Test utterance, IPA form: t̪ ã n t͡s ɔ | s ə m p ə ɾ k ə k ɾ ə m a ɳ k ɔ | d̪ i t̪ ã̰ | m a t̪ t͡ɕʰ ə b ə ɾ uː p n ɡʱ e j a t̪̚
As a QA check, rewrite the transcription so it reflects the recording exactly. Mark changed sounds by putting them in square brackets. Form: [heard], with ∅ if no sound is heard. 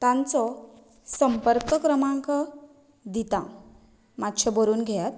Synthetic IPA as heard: t̪ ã n t͡s ɔ | s ə m p ə ɾ k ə k ɾ ə m a [ŋ] k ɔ | d̪ i t̪ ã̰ | m a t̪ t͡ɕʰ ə b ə ɾ uː [∅] n ɡʱ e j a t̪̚